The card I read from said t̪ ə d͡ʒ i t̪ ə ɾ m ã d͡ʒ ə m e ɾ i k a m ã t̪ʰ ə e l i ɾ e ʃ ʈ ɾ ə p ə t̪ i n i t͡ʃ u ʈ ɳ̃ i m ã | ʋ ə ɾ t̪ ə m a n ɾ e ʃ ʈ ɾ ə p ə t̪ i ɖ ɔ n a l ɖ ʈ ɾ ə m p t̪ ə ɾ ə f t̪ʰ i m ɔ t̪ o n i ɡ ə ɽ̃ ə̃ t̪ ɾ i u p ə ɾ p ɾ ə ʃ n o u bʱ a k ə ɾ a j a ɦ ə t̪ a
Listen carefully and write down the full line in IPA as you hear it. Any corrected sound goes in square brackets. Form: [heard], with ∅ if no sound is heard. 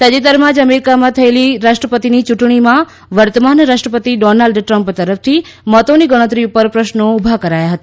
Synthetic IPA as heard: t̪ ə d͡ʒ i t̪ ə ɾ m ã d͡ʒ ə m e ɾ i k a m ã t̪ʰ ə e l i ɾ [a] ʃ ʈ ɾ ə p ə t̪ i n i t͡ʃ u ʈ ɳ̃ i m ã | ʋ ə ɾ t̪ ə m a n ɾ [a] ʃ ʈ ɾ ə p ə t̪ i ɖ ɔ n a l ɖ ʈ ɾ ə m p t̪ ə ɾ ə f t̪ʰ i m ɔ t̪ o n i ɡ ə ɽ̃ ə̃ t̪ ɾ i u p ə ɾ p ɾ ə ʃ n o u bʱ a k ə ɾ a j a ɦ ə t̪ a

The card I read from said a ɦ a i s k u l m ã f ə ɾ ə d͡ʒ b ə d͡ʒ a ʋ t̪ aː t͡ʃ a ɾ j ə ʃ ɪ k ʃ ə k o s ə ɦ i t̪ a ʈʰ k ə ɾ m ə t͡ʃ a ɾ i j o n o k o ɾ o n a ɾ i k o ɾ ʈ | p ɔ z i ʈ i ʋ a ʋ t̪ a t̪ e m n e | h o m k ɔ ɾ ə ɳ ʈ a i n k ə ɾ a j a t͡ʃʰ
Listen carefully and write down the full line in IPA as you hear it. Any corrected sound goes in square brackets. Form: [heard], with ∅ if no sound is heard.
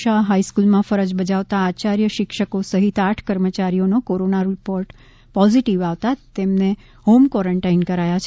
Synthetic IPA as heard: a ɦ a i s k u l m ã f ə ɾ ə d͡ʒ b ə d͡ʒ a ʋ t̪ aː t͡ʃ a ɾ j ə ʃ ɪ k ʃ ə k o s ə ɦ i t̪ a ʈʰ k ə ɾ m ə t͡ʃ a ɾ i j o n o k o ɾ o n a ɾ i [p] o ɾ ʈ | p ɔ z i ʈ i ʋ a ʋ t̪ a t̪ e m n e | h o m k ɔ ɾ ə ɳ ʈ a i n k ə ɾ a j a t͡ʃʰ

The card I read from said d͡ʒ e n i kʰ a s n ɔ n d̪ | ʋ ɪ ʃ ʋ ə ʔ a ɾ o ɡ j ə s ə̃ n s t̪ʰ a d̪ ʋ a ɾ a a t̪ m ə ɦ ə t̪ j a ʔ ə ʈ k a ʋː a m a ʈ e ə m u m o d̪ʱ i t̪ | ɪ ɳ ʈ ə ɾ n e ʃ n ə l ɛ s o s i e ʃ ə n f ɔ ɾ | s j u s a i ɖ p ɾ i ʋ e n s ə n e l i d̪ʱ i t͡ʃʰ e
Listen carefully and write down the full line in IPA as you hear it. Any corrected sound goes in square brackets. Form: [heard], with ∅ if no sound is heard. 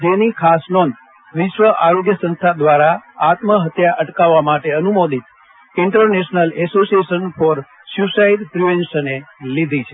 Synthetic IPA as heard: d͡ʒ e n i kʰ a s n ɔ n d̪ | ʋ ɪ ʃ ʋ ə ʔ a ɾ o ɡ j ə s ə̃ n s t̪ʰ a d̪ ʋ a ɾ a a t̪ m ə ɦ ə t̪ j a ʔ ə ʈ k a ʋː a m a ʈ e ə [n] u m o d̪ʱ i t̪ | ɪ ɳ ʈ ə ɾ n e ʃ n ə l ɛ s o s i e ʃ ə n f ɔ ɾ | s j u s a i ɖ p ɾ i ʋ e n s ə n e l i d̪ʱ i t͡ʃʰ e

